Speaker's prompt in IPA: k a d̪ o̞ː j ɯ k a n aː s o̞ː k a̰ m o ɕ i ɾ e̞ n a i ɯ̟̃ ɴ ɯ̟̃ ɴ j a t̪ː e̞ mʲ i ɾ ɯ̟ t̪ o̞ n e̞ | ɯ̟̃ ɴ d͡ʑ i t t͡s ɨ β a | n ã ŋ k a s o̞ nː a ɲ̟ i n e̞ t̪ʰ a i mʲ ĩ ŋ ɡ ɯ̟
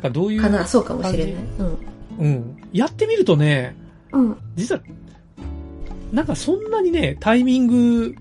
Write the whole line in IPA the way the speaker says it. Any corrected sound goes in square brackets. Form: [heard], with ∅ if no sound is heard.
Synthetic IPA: k a d̪ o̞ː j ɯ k a n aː s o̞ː k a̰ m o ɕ i ɾ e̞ n a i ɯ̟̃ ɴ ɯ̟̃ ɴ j a t̪ː e̞ mʲ i ɾ ɯ̟ t̪ o̞ n e̞ | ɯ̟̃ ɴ d͡ʑ i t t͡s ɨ β a | n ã ŋ k a s [õ̞] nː a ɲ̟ i n e̞ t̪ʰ a i mʲ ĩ ŋ ɡ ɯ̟